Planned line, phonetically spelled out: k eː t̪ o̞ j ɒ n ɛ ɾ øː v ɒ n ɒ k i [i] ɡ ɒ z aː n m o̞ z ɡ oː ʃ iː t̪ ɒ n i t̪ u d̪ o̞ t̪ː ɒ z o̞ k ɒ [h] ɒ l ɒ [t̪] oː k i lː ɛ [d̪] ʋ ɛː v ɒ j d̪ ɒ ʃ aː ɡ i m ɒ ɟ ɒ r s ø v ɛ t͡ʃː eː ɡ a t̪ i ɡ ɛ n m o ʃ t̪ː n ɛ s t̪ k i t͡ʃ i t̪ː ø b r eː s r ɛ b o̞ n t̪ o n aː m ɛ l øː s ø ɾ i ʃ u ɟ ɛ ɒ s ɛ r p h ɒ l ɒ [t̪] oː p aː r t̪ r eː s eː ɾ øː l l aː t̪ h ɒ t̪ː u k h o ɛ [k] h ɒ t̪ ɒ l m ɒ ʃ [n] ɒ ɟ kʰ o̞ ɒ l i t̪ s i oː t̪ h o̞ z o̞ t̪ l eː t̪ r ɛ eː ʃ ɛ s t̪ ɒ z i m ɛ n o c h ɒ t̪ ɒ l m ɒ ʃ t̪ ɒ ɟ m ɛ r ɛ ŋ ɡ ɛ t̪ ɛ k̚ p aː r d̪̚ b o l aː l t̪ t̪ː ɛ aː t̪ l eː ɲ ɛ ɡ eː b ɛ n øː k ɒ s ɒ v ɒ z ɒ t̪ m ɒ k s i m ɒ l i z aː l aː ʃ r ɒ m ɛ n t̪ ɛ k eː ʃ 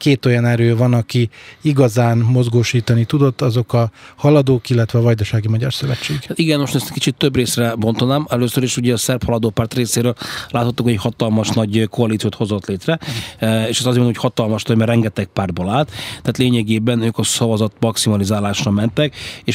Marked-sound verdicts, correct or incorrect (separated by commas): correct, correct, incorrect, incorrect, incorrect, incorrect, correct